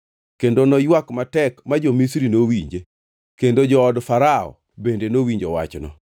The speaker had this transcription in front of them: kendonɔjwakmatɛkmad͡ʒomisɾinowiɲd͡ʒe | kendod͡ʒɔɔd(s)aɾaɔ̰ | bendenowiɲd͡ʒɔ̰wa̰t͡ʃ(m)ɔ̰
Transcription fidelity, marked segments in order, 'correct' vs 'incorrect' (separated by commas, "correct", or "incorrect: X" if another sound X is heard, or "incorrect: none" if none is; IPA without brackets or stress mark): incorrect: f, incorrect: n